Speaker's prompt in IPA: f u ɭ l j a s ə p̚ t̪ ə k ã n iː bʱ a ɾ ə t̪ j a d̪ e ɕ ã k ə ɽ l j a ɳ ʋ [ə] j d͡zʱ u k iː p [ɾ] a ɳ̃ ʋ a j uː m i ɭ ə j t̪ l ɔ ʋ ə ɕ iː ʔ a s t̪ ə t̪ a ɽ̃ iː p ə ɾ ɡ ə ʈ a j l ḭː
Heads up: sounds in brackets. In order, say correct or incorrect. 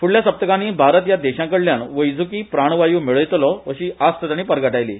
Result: correct, correct

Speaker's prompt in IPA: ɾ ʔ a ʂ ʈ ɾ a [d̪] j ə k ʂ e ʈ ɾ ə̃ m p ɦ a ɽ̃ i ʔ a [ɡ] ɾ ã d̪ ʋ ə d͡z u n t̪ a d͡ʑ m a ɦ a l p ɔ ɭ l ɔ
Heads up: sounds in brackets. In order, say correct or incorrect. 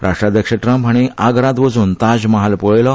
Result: correct, correct

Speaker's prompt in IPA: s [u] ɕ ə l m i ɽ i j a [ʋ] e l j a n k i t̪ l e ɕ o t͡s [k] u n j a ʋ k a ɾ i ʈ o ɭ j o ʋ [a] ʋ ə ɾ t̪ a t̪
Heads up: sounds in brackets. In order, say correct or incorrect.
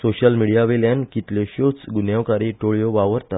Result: incorrect, correct, incorrect, correct

